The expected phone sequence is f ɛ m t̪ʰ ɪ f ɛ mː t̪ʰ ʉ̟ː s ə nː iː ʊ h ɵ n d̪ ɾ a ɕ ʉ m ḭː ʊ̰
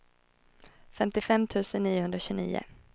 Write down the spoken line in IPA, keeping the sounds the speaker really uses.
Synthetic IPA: f ɛ m t̪ ɪ f ɛ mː t̪ʰ ʉ̟ː s ə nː iː ʊ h ɵ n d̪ ɾ a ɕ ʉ n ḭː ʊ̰